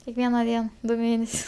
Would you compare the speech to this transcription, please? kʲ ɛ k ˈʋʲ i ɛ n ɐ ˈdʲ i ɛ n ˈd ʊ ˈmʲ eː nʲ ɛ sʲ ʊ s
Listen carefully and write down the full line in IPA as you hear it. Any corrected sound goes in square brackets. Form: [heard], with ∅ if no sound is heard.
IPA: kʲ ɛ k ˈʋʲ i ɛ n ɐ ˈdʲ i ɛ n ˈd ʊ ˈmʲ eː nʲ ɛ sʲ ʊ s

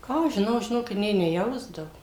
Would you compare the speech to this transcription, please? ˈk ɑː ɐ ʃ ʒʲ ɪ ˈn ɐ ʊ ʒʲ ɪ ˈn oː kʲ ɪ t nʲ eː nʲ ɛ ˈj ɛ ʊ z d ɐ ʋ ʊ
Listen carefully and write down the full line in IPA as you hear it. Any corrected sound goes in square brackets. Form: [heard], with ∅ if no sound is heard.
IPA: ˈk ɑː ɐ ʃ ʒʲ ɪ ˈn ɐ ʊ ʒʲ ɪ ˈn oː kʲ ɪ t nʲ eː nʲ ɛ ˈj ɛ ʊ z d ɐ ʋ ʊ

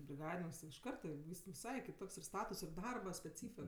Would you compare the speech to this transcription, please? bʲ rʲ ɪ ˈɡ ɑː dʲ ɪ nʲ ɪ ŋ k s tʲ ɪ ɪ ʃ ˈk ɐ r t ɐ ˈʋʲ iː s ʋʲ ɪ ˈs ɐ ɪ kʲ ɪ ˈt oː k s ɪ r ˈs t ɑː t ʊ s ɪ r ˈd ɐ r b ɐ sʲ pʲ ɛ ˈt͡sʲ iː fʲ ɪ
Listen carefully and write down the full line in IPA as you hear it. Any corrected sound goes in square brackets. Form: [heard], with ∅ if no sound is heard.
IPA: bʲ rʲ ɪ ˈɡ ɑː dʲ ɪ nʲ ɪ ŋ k s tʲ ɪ ɪ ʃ ˈk ɐ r t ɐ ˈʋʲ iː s ʋʲ ɪ ˈs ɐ ɪ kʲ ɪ ˈt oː k s ɪ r ˈs t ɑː t ʊ s ɪ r ˈd ɐ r b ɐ sʲ pʲ ɛ ˈt͡sʲ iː fʲ ɪ

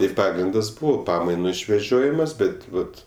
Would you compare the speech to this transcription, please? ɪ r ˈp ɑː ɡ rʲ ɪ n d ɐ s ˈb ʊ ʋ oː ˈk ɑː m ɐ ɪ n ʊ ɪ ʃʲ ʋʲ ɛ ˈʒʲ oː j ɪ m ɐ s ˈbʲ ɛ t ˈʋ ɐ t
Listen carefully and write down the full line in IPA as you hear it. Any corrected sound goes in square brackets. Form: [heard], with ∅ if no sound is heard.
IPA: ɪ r ˈp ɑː ɡ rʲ ɪ n d ɐ s ˈb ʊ ʋ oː [ˈp] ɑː m ɐ ɪ n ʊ ɪ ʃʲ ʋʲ ɛ ˈʒʲ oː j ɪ m ɐ s ˈbʲ ɛ t ˈʋ ɐ t

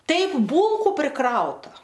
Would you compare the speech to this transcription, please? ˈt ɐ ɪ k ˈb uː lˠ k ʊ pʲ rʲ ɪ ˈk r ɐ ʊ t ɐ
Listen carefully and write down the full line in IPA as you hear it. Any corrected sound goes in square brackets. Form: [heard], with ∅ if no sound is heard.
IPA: ˈt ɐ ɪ [p] ˈb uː lˠ k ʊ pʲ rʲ ɪ ˈk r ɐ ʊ t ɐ

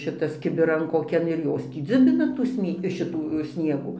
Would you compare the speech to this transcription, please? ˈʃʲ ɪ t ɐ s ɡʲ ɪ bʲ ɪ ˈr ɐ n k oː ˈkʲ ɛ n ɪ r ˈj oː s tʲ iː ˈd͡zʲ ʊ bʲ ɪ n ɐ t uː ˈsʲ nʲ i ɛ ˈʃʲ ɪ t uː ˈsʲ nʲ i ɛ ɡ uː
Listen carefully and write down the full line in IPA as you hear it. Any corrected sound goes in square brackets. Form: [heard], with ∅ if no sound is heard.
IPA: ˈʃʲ ɪ t ɐ s [kʲ] ɪ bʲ ɪ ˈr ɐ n k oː ˈkʲ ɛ n ɪ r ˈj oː s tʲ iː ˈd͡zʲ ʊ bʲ ɪ n ɐ t uː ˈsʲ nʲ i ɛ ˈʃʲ ɪ t uː ˈsʲ nʲ i ɛ ɡ uː

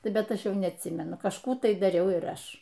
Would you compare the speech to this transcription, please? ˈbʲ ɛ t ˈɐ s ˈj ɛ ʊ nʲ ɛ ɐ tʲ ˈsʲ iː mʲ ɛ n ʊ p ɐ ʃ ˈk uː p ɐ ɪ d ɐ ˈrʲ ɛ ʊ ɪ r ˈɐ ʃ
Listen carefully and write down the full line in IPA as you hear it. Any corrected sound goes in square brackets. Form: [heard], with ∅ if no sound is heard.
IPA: ˈbʲ ɛ t ˈɐ [ʃ] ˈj ɛ ʊ nʲ ɛ ɐ tʲ ˈsʲ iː mʲ ɛ n ʊ [k] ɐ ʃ ˈk uː [t] ɐ ɪ d ɐ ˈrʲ ɛ ʊ ɪ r ˈɐ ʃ

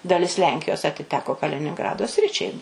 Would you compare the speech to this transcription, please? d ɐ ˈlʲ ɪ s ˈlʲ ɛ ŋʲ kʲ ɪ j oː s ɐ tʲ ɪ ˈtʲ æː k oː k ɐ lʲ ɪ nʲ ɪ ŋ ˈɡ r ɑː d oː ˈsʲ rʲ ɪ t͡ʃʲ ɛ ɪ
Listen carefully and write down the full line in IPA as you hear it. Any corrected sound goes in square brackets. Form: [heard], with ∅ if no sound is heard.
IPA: d ɐ ˈlʲ ɪ s ˈlʲ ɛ ŋʲ kʲ ɪ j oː s ɐ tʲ ɪ ˈtʲ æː k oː k ɐ lʲ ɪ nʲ ɪ ŋ ˈɡ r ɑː d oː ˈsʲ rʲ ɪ t͡ʃʲ ɛ ɪ

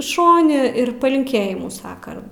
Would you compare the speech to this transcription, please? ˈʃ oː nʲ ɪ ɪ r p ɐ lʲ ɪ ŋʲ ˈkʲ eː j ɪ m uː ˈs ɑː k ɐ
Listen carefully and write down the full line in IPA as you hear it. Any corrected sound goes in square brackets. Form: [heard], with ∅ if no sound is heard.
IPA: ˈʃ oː nʲ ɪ ɪ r p ɐ lʲ ɪ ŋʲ ˈkʲ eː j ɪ m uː ˈs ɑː k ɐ

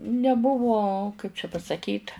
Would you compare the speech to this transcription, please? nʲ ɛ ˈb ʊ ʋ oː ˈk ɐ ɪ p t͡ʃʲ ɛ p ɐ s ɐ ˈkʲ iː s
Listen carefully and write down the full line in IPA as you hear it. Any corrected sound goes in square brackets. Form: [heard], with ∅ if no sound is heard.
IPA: nʲ ɛ ˈb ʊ ʋ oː ˈk ɐ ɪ p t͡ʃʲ ɛ p ɐ s ɐ ˈkʲ iː [t]

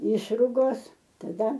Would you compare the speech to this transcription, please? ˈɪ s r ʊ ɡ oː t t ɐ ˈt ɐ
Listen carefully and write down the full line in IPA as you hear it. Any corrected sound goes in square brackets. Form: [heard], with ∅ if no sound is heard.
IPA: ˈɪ [ʃ] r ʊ ɡ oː [s] t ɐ [ˈd] ɐ

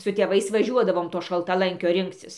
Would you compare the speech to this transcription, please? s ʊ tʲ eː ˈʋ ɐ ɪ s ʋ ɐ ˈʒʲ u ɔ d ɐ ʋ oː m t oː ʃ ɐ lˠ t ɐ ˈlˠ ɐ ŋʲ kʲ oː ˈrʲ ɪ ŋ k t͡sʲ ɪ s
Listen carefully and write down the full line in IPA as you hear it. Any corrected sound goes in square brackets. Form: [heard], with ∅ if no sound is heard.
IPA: s ʊ tʲ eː ˈʋ ɐ ɪ s ʋ ɐ ˈʒʲ u ɔ d ɐ ʋ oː m t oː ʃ ɐ lˠ t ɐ ˈlˠ ɐ ŋʲ kʲ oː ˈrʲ ɪ ŋ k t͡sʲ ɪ s

